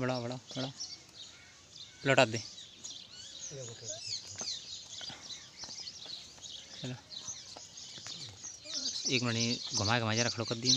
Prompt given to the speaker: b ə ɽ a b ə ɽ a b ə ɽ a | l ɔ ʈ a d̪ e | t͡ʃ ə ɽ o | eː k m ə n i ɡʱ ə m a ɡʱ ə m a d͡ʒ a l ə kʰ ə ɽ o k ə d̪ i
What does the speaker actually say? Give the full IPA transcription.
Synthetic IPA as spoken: b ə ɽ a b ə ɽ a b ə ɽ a | l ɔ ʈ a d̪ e | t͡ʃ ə l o | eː k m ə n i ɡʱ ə m a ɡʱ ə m a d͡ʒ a ɾ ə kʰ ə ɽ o k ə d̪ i

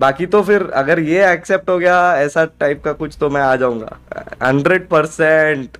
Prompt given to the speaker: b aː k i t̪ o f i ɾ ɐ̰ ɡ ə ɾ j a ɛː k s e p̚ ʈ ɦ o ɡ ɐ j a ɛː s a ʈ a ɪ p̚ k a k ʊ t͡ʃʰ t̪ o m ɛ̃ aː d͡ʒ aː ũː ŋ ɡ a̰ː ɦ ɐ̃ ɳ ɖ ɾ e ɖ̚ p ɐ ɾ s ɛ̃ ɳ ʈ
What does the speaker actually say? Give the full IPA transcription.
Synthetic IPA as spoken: b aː k i t̪ o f ɪ ɾ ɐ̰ ɡ ə ɾ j e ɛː k s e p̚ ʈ ɦ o ɡ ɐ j a ɛː s a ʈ a ɪ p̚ k a k ʊ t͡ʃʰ t̪ o m ɛ̃ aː d͡ʒ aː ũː ŋ ɡ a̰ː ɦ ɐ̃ ɳ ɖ ɾ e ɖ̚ p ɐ ɾ s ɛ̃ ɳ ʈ

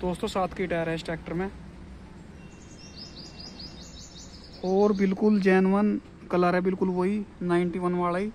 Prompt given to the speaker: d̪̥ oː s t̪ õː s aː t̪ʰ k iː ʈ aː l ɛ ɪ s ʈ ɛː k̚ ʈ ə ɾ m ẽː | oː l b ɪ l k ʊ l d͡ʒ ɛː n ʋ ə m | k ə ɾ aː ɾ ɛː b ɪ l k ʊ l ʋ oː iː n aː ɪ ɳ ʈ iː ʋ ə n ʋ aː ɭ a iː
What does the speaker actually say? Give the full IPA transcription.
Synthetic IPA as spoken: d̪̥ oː s t̪ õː s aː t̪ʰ k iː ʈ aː ɾ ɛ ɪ s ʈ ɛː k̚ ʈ ə ɾ m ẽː | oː ɾ b ɪ l k ʊ l d͡ʒ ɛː n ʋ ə n | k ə l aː ɾ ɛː b ɪ l k ʊ l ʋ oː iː n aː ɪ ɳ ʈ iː ʋ ə n ʋ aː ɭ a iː

